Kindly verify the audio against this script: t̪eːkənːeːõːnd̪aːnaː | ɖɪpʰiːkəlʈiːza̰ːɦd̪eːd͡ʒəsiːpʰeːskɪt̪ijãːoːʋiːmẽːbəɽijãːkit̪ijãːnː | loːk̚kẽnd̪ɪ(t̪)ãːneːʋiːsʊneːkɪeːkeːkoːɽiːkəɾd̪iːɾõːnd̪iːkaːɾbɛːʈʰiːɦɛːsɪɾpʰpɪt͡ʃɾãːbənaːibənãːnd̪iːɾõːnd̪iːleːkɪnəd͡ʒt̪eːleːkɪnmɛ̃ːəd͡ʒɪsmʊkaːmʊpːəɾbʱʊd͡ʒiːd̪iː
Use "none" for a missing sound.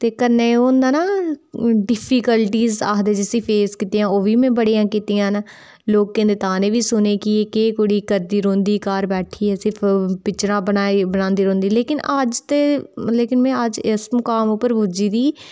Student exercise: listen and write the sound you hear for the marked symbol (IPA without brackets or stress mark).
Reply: t̪